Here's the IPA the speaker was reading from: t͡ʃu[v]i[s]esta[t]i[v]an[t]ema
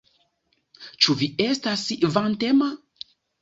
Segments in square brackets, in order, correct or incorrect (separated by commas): correct, incorrect, incorrect, correct, correct